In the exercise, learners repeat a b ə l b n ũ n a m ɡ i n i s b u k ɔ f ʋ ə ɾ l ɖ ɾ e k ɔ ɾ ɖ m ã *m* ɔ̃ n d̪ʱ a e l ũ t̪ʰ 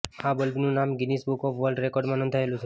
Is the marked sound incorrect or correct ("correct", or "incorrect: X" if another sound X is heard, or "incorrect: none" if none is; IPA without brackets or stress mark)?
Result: incorrect: n